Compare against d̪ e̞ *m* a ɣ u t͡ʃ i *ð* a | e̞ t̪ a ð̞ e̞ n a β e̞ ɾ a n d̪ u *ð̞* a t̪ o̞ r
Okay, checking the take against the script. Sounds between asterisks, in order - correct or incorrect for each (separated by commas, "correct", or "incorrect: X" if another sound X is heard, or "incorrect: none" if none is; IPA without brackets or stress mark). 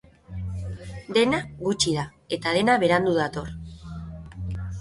incorrect: n, correct, correct